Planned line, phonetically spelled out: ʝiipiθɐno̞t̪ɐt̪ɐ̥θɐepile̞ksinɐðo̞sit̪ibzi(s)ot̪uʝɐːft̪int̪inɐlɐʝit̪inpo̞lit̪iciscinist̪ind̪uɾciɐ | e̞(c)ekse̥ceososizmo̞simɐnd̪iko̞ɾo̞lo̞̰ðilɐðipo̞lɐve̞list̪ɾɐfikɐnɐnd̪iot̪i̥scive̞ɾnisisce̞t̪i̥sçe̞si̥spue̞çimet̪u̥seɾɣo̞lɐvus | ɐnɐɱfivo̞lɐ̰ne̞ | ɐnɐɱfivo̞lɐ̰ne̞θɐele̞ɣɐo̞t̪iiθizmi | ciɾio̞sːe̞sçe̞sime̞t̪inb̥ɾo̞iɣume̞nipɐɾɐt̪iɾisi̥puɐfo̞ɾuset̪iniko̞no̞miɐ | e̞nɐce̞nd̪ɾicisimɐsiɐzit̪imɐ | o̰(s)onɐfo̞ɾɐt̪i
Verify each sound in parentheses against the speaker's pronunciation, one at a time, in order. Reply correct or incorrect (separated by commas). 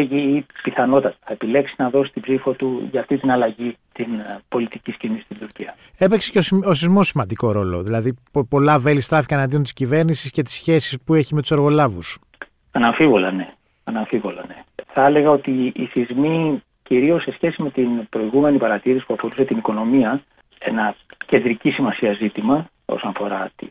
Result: incorrect, incorrect, correct